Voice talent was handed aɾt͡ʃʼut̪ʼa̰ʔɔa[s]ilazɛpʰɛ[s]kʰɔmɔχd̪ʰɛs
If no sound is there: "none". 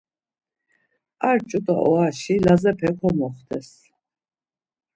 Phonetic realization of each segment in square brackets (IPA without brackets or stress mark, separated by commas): ʃ, none